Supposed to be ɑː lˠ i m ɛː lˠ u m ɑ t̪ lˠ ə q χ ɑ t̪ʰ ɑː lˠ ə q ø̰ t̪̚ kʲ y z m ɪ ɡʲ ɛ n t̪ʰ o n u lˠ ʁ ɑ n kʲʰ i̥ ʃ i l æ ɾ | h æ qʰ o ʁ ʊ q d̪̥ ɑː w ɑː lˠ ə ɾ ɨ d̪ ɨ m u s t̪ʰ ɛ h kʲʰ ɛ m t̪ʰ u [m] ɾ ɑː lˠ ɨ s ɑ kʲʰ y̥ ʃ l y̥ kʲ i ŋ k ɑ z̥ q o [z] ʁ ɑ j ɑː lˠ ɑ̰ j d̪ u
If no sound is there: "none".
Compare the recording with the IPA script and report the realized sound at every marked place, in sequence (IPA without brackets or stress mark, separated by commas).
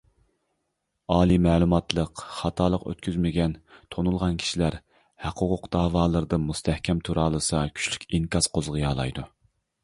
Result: none, z